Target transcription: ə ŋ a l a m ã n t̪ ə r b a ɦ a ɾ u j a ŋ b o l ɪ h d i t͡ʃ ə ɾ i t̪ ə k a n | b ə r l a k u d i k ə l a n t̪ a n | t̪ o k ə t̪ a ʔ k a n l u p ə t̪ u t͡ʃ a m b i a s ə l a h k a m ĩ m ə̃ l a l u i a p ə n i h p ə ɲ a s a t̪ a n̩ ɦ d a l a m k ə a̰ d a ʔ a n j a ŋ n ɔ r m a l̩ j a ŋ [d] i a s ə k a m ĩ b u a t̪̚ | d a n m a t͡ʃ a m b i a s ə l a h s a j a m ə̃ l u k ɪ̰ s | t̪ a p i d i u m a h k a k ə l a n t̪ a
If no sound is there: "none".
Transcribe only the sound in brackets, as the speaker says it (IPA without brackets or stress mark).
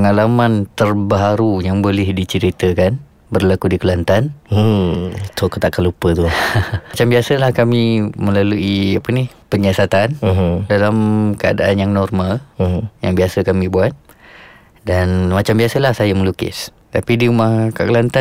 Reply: b